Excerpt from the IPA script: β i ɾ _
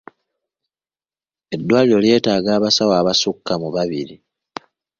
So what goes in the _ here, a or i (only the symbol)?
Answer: i